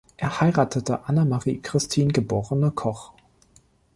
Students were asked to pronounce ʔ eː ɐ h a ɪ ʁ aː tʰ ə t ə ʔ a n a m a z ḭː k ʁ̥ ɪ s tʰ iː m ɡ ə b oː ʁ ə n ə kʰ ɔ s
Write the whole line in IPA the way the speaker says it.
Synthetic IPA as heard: ʔ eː ɐ h a ɪ ʁ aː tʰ ə t ə ʔ a n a m a ʁ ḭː k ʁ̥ ɪ s tʰ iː n ɡ ə b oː ʁ ə n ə kʰ ɔ χ